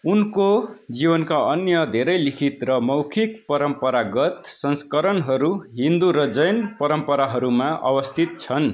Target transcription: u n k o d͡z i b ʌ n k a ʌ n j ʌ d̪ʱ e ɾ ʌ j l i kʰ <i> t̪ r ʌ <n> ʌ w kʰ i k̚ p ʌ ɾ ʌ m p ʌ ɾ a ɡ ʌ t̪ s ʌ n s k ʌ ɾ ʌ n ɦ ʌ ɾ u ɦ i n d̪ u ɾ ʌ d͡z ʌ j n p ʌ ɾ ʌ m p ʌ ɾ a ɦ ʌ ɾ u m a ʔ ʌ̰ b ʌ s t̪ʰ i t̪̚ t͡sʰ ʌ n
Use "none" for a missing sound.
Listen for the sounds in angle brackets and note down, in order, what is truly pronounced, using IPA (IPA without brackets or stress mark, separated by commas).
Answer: i, m